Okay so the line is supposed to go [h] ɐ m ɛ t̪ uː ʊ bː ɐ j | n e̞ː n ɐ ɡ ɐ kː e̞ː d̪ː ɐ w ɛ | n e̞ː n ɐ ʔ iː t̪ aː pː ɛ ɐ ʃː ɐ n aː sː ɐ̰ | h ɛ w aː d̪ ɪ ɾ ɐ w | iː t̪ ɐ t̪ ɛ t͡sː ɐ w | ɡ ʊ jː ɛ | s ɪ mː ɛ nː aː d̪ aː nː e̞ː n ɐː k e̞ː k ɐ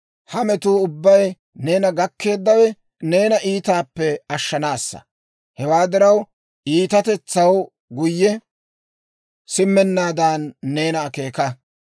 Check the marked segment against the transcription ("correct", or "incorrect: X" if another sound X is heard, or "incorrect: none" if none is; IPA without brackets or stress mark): correct